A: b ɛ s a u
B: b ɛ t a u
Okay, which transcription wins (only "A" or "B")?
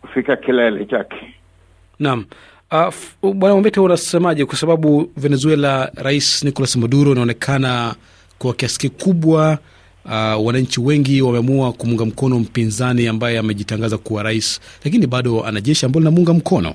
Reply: B